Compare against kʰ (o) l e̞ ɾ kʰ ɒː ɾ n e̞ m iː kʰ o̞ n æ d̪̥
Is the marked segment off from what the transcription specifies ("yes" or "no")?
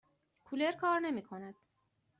yes